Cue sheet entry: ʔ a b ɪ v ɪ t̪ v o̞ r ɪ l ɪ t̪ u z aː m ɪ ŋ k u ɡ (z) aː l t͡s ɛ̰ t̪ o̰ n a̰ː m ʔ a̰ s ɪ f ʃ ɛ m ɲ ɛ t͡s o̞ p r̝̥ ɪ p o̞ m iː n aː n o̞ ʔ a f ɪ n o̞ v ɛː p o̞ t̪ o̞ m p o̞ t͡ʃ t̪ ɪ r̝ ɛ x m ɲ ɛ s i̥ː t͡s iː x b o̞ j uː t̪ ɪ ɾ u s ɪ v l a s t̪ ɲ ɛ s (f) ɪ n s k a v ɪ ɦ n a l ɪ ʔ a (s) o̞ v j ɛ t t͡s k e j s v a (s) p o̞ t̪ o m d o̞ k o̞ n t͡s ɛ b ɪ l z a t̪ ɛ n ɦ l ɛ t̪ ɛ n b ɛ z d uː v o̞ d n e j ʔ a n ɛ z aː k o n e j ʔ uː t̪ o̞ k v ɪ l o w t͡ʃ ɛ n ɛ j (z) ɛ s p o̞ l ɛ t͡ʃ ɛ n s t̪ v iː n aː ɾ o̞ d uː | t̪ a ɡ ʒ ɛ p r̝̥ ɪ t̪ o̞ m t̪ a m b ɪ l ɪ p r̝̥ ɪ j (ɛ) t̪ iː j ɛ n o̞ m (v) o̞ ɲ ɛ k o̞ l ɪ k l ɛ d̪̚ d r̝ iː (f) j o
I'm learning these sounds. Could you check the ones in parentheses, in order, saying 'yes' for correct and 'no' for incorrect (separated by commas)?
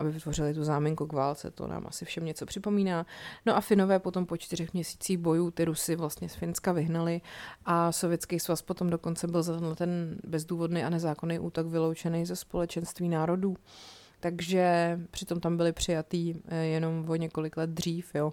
no, yes, yes, yes, yes, no, yes, yes